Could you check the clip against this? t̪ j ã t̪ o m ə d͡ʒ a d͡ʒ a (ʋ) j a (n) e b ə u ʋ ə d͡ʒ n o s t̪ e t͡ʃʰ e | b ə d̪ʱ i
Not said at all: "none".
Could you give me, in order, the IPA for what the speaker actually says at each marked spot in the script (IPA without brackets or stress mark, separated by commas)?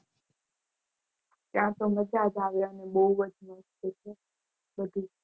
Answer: ʋ, n